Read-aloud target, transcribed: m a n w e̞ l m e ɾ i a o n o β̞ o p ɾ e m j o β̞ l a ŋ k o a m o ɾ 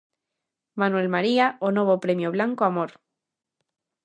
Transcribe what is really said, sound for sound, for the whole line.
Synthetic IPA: m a n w e̞ l m a ɾ i a o n o β̞ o p ɾ e m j o β̞ l a ŋ k o a m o ɾ